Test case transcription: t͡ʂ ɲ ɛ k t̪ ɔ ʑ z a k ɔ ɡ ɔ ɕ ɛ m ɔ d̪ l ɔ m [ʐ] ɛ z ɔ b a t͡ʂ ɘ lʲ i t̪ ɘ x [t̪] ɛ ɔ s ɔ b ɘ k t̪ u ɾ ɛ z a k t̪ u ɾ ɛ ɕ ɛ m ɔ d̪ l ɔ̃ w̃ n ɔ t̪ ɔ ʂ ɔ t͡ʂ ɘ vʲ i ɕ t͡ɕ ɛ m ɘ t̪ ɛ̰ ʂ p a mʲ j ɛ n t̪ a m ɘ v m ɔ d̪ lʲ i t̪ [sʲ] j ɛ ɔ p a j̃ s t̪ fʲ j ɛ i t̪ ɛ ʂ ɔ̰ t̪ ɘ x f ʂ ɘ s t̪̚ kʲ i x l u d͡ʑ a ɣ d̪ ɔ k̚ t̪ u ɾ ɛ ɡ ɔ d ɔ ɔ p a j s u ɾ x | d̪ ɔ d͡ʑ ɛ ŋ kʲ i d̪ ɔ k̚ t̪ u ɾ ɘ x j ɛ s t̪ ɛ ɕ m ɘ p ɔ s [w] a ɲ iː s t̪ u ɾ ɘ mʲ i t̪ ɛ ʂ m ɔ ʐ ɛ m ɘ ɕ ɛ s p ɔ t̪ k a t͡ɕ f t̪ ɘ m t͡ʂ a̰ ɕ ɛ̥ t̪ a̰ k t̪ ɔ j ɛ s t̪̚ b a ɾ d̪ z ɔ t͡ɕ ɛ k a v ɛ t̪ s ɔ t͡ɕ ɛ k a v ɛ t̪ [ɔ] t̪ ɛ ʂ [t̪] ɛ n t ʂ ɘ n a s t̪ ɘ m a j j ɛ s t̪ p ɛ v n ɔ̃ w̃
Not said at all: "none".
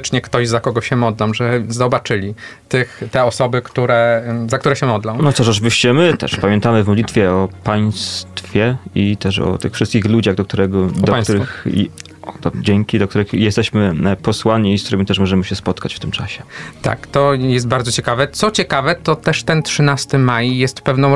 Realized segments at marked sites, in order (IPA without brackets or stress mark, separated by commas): ʐ, t̪, fʲ, w, ɔ, t̪